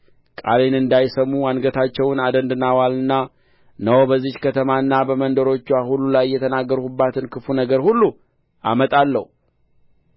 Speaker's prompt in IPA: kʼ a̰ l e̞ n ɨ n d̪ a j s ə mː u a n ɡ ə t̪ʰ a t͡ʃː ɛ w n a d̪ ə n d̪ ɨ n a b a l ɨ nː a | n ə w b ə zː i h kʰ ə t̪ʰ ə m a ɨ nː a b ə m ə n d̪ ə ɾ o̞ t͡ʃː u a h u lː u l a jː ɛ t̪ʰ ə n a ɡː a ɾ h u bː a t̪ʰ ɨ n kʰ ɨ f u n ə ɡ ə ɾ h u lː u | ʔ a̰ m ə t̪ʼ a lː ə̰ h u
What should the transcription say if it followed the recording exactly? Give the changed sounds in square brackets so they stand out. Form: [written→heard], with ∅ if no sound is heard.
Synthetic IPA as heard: kʼ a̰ l e̞ n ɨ n d̪ a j s ə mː u a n ɡ ə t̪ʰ a t͡ʃː ɛ w n a d̪ ə n d̪ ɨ n a [b→w] a l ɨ nː a | n ə w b ə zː i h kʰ ə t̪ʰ ə m a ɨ nː a b ə m ə n d̪ ə ɾ o̞ t͡ʃː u a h u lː u l a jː ɛ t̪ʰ ə n a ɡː [a→ə] ɾ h u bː a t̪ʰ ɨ n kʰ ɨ f u n ə ɡ ə ɾ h u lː u | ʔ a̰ m ə t̪ʼ a lː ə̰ h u